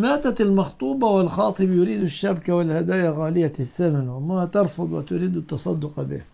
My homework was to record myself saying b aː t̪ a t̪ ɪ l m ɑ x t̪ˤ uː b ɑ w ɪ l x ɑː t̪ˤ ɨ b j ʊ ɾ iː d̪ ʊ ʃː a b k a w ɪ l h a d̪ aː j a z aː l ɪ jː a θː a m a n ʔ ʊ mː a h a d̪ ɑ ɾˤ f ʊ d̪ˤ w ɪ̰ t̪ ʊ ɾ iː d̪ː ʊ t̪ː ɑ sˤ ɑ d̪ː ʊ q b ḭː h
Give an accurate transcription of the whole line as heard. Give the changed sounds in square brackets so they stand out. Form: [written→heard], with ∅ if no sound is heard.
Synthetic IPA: [b→m] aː t̪ a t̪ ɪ l m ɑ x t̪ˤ uː b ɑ w ɪ l x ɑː t̪ˤ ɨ b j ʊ ɾ iː d̪ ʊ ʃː a b k a w ɪ l h a d̪ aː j a [z→ɣ] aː l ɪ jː a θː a m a n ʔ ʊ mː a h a [d̪→t̪] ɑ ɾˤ f ʊ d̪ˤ w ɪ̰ t̪ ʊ ɾ iː [d̪ː→d̪] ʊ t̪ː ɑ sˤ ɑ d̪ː ʊ q b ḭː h